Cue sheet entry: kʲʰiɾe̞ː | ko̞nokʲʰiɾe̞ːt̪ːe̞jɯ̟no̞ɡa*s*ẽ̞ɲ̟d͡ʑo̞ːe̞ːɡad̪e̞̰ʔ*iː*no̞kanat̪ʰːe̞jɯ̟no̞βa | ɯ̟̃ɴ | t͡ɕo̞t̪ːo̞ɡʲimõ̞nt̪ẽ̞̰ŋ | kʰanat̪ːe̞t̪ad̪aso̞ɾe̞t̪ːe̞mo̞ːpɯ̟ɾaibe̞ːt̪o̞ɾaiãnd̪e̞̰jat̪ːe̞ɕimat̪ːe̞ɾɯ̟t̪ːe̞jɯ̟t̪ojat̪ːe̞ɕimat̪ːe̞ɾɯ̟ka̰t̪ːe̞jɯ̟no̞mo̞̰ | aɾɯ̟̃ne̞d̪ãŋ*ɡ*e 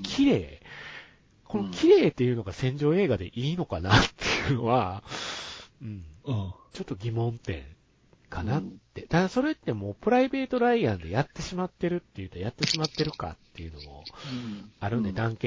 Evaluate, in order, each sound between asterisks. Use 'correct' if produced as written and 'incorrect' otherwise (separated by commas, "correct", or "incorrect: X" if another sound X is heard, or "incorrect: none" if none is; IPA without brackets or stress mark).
correct, correct, incorrect: k